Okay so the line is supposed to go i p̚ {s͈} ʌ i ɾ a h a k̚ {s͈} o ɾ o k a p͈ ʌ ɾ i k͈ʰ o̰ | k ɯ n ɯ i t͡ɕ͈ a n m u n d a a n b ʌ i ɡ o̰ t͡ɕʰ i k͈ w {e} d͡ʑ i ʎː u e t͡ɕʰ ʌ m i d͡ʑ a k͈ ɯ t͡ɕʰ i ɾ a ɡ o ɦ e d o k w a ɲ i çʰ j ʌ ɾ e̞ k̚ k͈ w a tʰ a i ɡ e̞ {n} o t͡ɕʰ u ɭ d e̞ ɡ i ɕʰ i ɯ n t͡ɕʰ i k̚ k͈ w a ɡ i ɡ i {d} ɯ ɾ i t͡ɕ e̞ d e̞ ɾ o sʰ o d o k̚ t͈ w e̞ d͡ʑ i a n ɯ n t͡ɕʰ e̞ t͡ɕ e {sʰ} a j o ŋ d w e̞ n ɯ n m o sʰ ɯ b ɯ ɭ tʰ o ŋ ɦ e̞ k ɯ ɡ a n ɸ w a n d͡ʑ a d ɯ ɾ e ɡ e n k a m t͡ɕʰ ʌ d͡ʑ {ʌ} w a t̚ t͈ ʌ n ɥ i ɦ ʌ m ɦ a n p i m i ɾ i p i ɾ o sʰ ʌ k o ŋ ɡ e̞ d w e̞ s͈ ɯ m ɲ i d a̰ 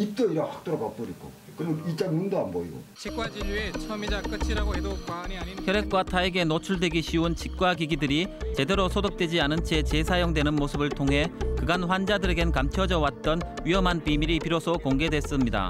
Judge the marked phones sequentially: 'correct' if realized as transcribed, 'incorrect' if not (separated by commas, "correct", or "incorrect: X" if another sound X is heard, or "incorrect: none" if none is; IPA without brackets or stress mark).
incorrect: t͈, incorrect: t͈, incorrect: a, correct, correct, correct, correct